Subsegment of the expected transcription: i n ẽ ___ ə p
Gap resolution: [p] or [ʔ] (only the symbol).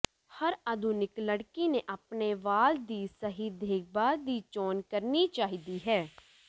ʔ